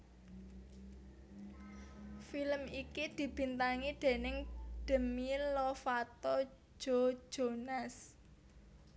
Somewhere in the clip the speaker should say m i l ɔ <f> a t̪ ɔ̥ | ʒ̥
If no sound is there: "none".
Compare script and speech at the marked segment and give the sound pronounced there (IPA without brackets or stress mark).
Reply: f